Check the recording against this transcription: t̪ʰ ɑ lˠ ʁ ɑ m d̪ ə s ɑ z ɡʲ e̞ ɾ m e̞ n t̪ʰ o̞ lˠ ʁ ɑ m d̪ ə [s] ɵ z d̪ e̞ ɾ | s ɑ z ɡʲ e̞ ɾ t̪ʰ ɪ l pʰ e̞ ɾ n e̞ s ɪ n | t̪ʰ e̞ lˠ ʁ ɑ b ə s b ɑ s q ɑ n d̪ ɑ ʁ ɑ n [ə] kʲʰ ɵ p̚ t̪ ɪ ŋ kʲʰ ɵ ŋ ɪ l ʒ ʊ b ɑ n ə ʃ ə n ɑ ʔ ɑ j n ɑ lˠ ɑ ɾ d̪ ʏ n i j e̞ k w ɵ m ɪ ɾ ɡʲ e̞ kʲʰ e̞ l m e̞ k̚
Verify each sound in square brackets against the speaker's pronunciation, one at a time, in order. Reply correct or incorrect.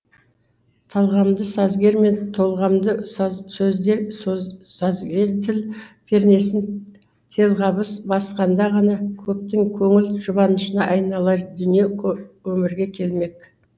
correct, incorrect: ɑ

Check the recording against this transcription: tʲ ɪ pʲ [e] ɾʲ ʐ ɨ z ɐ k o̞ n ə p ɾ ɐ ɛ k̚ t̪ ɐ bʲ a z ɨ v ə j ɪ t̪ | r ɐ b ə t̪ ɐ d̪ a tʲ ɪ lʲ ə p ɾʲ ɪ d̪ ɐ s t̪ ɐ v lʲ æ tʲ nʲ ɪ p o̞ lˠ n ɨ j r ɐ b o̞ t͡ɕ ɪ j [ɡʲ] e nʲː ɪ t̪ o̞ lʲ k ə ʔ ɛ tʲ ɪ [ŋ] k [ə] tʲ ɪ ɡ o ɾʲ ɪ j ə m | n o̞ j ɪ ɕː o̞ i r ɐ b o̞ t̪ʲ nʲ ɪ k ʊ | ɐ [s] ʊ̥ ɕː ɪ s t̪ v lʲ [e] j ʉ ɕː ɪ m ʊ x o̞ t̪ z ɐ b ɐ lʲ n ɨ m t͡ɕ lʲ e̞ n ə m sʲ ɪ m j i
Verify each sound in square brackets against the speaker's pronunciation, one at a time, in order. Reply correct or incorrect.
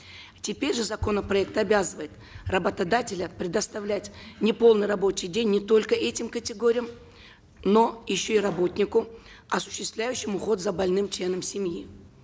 correct, incorrect: dʲ, incorrect: m, correct, correct, incorrect: æ

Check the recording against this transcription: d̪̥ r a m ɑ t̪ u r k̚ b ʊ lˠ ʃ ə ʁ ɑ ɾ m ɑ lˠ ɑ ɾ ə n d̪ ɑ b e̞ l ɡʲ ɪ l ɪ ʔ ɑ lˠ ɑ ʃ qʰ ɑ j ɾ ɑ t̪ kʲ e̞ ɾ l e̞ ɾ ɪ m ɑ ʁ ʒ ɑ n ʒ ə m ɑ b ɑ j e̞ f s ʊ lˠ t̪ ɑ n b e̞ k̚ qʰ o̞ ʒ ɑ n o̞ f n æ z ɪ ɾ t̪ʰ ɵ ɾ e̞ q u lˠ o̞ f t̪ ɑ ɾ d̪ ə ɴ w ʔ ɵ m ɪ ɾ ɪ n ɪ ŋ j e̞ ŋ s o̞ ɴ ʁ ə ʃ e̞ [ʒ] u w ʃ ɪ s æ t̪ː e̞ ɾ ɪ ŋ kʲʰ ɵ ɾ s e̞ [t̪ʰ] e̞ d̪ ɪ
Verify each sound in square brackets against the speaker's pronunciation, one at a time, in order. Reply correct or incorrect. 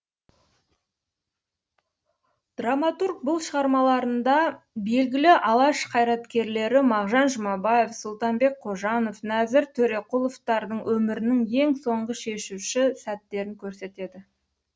incorrect: ʃ, incorrect: t̪

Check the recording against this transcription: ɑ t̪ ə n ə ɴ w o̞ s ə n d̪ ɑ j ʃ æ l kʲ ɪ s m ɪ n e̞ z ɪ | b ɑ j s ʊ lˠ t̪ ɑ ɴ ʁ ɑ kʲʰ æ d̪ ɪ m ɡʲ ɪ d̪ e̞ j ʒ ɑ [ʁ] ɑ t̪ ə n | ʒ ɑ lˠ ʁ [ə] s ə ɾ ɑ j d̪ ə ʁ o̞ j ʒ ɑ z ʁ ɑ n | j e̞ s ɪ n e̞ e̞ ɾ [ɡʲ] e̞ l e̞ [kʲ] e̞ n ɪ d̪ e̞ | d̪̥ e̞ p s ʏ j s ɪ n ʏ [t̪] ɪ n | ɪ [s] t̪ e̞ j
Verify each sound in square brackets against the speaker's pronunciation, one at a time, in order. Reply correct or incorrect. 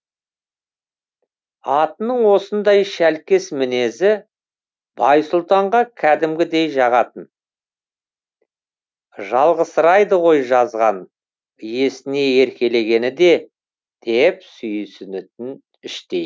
correct, correct, incorrect: kʲ, incorrect: ɡʲ, correct, incorrect: ʃ

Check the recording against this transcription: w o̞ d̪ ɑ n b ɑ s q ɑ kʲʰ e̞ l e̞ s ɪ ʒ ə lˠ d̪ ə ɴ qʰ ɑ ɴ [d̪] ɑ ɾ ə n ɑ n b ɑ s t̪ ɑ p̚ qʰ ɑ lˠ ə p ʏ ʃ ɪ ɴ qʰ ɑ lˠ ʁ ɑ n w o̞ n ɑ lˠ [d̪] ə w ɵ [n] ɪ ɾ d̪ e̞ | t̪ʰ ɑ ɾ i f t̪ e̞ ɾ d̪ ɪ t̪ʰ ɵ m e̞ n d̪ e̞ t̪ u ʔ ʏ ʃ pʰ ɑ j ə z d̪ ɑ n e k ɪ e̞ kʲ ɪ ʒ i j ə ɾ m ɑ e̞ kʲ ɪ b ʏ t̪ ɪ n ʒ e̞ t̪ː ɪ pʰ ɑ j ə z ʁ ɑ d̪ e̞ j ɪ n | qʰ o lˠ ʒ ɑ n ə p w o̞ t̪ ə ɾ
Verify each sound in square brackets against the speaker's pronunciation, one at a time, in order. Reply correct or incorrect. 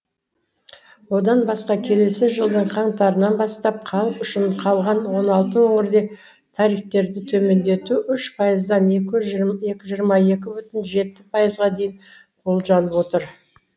incorrect: t̪, incorrect: t̪, incorrect: ŋ

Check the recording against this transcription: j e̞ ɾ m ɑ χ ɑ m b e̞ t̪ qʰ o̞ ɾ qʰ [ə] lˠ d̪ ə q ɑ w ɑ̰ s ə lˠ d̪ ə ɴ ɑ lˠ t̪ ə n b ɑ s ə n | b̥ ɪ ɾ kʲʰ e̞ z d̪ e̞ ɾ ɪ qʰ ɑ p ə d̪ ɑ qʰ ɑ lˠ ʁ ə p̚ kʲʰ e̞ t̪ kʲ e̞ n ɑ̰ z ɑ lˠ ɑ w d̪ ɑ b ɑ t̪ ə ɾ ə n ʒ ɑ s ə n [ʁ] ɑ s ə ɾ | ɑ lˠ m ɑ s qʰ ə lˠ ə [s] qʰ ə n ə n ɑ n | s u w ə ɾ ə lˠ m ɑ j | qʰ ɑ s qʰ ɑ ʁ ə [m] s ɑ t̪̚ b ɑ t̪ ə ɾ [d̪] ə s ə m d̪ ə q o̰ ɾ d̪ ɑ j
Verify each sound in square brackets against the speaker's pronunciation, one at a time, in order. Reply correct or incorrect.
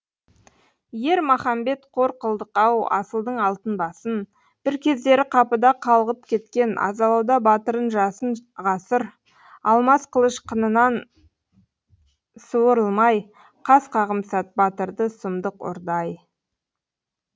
correct, correct, incorrect: ʃ, correct, correct

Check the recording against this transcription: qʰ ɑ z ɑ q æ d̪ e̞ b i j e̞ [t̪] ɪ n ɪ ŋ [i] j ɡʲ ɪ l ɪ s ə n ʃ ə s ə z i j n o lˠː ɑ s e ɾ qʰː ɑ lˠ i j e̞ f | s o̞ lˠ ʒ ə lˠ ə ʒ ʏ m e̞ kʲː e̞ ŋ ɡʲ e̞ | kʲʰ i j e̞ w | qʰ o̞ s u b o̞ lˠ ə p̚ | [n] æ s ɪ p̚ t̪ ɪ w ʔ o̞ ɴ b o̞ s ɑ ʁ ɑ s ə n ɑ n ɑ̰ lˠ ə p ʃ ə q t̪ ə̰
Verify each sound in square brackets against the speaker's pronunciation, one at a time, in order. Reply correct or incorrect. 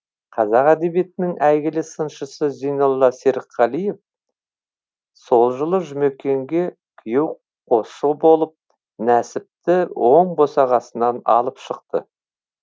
correct, incorrect: æ, correct

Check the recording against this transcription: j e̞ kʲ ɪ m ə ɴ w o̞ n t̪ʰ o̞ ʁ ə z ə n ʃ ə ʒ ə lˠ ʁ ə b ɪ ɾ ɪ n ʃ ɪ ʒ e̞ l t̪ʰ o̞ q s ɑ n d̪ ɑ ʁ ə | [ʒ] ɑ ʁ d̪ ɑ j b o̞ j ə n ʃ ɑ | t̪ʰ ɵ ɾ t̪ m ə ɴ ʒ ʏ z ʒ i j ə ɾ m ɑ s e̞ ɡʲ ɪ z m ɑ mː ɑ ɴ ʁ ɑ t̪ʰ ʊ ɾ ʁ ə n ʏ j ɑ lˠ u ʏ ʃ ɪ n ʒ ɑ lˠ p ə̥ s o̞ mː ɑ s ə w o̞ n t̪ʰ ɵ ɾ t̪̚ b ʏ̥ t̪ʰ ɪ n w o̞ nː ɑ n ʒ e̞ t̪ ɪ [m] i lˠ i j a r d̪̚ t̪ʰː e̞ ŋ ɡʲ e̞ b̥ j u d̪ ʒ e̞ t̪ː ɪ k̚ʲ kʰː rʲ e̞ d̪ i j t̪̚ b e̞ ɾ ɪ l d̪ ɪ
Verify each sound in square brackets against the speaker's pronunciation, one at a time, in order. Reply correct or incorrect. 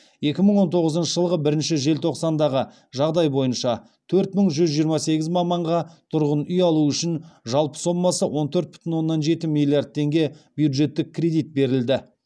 correct, correct

